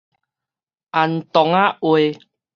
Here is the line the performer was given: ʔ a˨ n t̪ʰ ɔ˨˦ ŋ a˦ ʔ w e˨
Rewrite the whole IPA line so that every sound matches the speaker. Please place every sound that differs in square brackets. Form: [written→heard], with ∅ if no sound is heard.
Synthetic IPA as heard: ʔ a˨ n [t̪ʰ→t̪] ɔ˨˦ ŋ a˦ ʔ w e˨